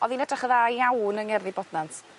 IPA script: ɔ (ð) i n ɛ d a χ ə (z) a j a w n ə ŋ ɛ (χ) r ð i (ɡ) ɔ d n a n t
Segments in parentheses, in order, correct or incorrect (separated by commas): correct, incorrect, incorrect, incorrect